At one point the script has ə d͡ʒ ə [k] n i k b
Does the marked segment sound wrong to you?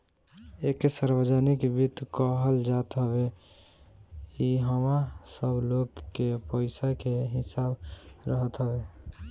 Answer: yes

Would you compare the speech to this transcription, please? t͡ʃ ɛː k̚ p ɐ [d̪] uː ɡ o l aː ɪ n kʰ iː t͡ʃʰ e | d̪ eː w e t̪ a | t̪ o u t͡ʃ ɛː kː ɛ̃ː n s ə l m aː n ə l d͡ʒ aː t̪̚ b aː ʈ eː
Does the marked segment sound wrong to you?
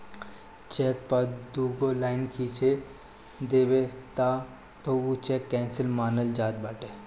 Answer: no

